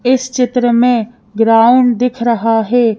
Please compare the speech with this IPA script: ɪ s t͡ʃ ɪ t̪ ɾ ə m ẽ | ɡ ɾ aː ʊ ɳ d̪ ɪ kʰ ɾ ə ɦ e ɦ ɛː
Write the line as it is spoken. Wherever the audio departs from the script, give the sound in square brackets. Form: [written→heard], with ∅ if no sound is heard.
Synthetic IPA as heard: ɪ s t͡ʃ ɪ t̪ ɾ ə m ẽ | ɡ ɾ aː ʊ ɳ d̪ ɪ kʰ ɾ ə ɦ [e→a] ɦ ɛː